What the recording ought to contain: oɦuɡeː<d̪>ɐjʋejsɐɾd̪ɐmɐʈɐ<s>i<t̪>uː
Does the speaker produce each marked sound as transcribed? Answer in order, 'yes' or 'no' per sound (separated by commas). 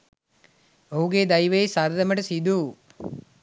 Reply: yes, yes, no